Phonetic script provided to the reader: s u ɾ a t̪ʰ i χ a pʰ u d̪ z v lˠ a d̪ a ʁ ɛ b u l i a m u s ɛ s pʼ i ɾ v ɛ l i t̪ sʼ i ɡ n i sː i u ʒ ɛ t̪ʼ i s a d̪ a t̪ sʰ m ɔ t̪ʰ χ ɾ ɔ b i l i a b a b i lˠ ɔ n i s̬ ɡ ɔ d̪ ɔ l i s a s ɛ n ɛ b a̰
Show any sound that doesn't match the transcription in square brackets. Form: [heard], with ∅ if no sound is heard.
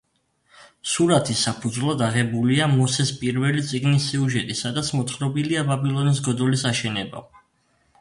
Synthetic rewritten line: s u ɾ a t̪ʰ i [s] a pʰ u d̪ z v lˠ a d̪ a ʁ ɛ b u l i a m [ɔ] s ɛ s pʼ i ɾ v ɛ l i t̪ sʼ i ɡ n i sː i u ʒ ɛ t̪ʼ i s a d̪ a t̪ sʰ m ɔ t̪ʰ χ ɾ ɔ b i l i a b a b i lˠ ɔ n i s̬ ɡ ɔ d̪ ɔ l i s a [ʃ] ɛ n ɛ b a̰